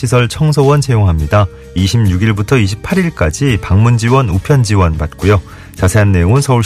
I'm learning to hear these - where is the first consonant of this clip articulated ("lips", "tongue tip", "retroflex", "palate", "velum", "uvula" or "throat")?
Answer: tongue tip